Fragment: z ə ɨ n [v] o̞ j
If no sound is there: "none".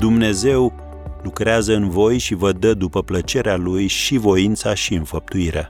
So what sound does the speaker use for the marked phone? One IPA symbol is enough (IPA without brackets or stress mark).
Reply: v